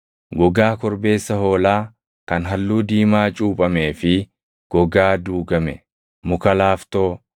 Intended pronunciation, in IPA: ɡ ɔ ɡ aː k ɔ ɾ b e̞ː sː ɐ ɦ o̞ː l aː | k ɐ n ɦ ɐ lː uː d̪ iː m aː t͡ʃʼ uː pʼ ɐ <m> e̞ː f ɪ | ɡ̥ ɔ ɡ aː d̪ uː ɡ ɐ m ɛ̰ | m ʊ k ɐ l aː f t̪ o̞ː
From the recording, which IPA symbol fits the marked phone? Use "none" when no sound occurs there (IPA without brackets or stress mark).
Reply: m